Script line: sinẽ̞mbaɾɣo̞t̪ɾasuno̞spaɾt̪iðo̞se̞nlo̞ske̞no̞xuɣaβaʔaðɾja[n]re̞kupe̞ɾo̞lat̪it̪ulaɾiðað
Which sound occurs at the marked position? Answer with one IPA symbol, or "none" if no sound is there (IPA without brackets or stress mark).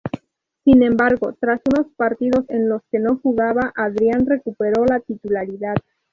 n